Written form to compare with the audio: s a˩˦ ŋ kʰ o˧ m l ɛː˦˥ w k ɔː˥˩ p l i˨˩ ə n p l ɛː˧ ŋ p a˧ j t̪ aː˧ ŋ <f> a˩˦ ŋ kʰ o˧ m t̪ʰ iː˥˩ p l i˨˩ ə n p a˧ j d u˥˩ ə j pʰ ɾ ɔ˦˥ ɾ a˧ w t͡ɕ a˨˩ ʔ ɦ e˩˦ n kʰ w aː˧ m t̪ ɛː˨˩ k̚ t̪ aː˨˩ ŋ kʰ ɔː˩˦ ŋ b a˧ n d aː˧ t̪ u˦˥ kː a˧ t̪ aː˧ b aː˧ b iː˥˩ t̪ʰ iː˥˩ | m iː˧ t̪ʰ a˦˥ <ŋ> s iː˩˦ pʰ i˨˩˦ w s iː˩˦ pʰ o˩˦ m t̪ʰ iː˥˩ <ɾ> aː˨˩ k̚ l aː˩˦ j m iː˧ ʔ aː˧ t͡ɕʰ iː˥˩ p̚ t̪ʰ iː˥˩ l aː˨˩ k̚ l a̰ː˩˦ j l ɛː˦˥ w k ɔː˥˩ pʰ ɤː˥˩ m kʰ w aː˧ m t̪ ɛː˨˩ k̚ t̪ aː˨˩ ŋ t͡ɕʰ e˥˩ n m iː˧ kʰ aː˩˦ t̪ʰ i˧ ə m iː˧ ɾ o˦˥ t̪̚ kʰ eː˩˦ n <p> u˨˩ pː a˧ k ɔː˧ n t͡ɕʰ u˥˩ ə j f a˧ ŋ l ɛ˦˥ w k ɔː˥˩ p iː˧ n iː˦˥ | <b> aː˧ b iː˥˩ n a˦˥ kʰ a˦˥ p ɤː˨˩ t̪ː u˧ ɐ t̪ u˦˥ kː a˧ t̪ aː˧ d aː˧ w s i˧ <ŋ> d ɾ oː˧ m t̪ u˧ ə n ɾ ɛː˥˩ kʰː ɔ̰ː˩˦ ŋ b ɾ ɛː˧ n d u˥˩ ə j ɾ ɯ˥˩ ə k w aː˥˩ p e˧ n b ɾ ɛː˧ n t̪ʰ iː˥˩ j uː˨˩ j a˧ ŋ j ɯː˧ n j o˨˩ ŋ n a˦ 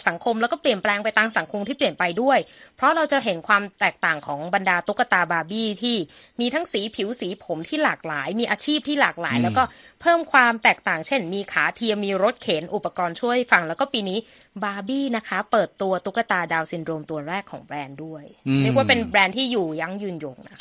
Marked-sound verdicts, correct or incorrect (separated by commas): incorrect, correct, incorrect, incorrect, correct, incorrect